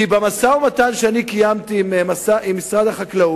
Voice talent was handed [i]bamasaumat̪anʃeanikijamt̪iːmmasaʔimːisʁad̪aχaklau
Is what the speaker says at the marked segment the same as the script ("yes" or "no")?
yes